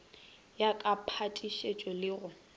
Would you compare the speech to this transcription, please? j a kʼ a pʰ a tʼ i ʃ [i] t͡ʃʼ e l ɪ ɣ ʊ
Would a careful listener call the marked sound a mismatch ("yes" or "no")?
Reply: yes